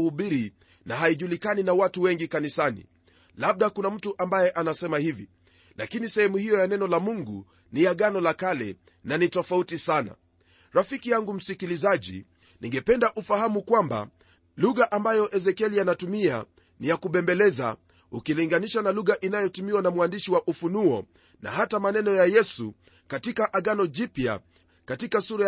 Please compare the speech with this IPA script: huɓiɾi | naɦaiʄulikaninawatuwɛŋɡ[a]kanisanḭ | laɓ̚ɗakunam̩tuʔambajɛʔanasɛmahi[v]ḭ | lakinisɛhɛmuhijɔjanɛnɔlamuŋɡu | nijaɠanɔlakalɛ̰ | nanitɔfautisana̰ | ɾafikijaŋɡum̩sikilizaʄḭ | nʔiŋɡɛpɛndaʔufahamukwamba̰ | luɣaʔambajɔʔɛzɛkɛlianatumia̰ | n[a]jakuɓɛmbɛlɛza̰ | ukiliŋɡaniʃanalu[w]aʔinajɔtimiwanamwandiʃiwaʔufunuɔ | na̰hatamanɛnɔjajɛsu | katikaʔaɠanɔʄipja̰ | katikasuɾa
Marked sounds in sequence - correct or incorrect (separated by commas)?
incorrect, correct, incorrect, incorrect